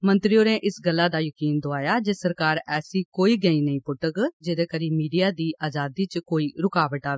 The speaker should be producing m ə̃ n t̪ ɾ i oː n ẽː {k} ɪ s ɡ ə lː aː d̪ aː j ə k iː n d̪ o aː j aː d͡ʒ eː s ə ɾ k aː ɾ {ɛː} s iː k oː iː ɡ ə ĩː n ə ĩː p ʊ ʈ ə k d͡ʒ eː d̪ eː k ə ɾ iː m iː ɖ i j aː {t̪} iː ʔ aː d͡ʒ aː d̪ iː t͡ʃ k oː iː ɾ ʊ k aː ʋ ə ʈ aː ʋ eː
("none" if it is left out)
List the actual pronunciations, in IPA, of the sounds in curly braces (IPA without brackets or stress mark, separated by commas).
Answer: ʔ, ɛː, d̪